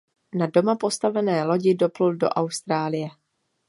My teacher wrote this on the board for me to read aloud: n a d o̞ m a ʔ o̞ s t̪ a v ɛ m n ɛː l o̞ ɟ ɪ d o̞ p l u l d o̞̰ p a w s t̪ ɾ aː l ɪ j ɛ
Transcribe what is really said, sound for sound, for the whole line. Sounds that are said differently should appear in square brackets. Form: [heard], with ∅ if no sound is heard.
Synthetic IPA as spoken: n a d o̞ m a [p] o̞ s t̪ a v ɛ [∅] n ɛː l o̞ ɟ ɪ d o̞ p l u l d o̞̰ [ʔ] a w s t̪ ɾ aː l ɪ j ɛ